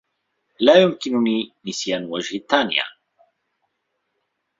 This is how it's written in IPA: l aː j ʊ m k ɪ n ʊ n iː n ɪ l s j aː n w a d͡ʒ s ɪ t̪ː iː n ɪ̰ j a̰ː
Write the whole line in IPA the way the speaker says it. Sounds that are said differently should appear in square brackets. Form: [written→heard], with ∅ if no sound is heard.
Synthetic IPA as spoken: l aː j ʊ m k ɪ n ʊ n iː n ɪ [l→∅] s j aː n w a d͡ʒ [s→h] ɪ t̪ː [iː→aː] n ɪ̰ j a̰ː